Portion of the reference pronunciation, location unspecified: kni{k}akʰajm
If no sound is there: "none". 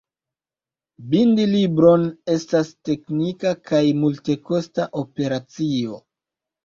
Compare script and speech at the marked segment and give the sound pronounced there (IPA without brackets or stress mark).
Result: k